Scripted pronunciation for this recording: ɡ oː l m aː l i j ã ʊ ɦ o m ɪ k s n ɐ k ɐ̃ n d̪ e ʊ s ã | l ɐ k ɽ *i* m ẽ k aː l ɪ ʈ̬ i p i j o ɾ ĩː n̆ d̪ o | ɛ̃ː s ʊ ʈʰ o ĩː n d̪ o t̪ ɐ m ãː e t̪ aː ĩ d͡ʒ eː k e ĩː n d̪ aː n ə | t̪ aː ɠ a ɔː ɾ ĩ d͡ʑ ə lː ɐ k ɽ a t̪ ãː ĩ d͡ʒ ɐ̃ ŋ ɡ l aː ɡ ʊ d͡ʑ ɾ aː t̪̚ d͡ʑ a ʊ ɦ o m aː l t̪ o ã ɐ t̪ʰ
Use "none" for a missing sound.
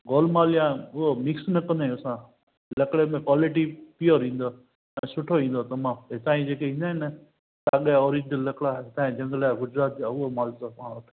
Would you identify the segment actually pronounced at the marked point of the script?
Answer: e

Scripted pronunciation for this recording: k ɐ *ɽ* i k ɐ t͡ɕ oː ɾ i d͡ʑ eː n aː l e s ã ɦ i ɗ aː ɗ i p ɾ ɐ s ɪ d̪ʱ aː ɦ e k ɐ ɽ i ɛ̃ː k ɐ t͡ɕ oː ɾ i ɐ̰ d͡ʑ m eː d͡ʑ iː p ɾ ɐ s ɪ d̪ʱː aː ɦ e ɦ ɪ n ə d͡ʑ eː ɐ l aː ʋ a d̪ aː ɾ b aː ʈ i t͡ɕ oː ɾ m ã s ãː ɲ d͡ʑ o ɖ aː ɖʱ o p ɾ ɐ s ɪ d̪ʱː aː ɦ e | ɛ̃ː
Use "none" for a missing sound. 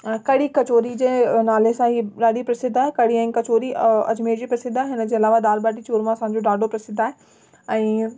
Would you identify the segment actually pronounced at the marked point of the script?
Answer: ɽ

